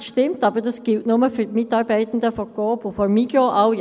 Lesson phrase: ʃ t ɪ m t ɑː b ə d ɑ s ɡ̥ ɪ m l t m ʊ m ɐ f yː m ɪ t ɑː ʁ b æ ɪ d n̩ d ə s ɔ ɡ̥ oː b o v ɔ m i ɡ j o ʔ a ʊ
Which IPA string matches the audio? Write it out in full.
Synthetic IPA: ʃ t ɪ m t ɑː b ə d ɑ s ɡ̥ ɪ l t n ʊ m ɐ f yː m ɪ t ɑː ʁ b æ ɪ t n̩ d ə f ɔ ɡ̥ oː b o f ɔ m i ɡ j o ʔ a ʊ